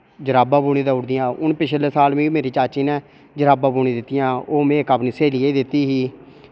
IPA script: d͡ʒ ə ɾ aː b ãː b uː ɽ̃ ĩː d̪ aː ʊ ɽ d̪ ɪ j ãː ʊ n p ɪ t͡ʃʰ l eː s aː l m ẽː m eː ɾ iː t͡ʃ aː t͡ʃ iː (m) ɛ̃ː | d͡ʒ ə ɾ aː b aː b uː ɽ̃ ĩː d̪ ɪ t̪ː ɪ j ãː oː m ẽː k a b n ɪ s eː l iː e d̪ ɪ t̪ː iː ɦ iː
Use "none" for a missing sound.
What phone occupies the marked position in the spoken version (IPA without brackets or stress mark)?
n